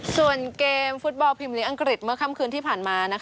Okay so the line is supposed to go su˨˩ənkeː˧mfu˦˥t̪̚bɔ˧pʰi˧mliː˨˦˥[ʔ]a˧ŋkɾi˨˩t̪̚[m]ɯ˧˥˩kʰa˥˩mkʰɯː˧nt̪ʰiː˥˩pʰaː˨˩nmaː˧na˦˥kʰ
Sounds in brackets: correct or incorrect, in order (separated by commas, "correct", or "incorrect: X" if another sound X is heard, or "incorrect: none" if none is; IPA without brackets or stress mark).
correct, correct